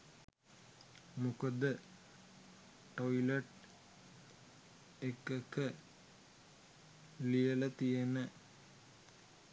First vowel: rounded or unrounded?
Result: rounded